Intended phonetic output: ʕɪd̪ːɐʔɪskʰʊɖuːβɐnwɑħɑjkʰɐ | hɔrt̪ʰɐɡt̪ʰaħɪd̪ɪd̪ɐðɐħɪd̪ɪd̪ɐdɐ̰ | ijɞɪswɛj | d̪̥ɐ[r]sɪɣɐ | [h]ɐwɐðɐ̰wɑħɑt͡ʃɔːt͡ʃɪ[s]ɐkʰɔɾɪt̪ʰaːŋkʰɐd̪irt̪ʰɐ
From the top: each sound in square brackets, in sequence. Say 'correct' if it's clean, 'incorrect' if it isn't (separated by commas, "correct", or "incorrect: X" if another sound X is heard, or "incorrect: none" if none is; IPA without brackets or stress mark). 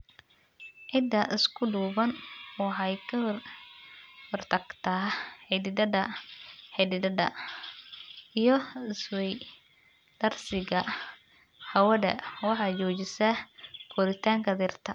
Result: correct, correct, correct